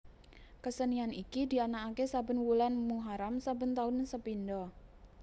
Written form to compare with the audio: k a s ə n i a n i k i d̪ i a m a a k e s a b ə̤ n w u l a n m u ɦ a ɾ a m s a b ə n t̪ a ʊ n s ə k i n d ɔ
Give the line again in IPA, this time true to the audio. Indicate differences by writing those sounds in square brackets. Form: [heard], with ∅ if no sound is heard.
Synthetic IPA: k [ə] s ə n i a n i k i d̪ i a [n] a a k e s a b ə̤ n w u l a n m u ɦ a ɾ a m s a b ə n t̪ a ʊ n s ə [p] i n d ɔ